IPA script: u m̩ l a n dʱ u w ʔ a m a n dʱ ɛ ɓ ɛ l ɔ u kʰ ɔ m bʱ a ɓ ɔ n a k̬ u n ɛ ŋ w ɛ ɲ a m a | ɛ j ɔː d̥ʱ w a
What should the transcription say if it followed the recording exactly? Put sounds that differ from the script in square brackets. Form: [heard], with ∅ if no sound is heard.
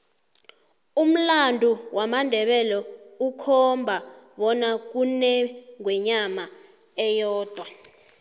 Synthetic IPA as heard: u m̩ l a n dʱ u w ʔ a m a n dʱ ɛ ɓ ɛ l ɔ u kʰ ɔ m bʱ a ɓ ɔ n a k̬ u n ɛ ŋ w ɛ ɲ a m a | ɛ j ɔː d̥ʱ w a